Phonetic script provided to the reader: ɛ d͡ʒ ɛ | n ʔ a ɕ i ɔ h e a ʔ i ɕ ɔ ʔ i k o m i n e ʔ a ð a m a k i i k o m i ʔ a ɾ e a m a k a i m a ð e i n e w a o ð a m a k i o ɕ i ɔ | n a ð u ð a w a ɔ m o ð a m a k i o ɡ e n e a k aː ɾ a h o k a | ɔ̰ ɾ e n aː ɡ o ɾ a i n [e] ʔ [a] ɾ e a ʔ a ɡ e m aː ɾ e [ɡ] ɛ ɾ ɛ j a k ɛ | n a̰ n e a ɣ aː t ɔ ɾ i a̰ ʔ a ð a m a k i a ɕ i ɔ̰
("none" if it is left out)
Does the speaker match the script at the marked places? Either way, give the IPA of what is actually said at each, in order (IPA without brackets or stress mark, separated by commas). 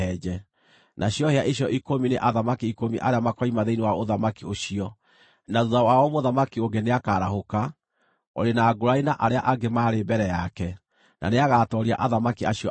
a, a, b